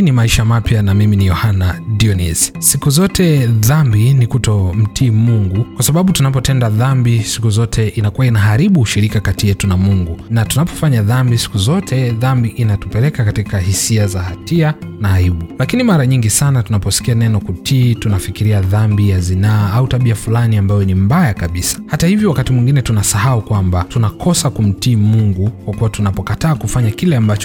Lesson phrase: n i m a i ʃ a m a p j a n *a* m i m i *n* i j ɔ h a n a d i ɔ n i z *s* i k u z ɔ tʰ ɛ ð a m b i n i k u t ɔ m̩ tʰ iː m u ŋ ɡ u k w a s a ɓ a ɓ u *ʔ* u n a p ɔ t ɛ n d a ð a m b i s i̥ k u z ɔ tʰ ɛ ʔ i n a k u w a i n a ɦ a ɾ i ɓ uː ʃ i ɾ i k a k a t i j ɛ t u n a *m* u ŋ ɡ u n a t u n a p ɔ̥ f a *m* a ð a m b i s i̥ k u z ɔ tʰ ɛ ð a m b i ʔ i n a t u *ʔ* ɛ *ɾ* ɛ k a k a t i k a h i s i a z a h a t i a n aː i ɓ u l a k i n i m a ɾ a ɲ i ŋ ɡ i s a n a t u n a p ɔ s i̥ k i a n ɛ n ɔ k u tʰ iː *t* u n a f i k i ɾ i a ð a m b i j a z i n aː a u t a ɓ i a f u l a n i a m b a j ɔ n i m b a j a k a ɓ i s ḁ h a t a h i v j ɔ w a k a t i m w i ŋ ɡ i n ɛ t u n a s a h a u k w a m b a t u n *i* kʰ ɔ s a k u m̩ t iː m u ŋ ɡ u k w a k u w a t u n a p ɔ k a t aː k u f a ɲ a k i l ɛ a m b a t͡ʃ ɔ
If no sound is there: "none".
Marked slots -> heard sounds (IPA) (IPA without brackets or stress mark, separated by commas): a, n, s, t, m, ɲ, p, l, t, a